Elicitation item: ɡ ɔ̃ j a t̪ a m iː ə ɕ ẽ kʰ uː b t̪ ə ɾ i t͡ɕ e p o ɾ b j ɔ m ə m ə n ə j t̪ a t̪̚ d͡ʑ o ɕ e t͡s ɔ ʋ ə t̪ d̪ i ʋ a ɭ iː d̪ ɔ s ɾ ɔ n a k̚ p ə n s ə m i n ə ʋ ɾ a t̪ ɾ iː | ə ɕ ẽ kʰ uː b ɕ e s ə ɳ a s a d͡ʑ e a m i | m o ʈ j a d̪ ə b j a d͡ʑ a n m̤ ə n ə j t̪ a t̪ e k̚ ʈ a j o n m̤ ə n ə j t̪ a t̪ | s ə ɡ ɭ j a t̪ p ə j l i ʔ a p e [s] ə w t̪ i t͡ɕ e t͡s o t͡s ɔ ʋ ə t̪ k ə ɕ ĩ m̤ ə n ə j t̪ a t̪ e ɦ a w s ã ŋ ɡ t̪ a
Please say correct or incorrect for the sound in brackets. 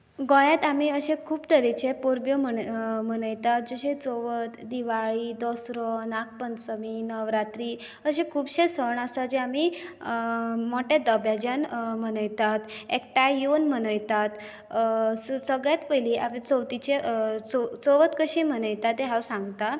incorrect